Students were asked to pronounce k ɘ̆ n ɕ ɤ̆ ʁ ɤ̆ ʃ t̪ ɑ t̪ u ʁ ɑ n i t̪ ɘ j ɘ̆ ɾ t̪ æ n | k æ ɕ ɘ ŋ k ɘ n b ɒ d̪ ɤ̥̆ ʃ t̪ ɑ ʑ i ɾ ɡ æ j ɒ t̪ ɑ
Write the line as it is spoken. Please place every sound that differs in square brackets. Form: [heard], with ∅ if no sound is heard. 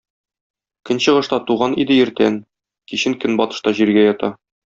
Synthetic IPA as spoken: k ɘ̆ n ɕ ɤ̆ ʁ ɤ̆ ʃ t̪ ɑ t̪ u ʁ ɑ n i [d̪] ɘ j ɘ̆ ɾ t̪ æ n | k [i] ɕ ɘ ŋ k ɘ n b ɒ [t̪] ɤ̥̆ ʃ t̪ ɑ ʑ i ɾ ɡ æ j ɒ t̪ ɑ